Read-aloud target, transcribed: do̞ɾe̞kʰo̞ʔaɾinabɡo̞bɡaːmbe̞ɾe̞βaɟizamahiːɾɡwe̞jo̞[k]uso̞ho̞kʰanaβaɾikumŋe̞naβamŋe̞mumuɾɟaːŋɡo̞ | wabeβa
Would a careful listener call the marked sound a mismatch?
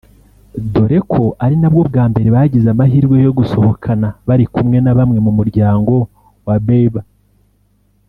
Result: yes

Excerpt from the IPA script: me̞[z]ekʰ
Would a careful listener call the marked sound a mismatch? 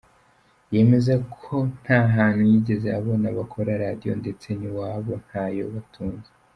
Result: no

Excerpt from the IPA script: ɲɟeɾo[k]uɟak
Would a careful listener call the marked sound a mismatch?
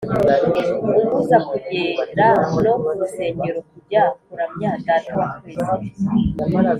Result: no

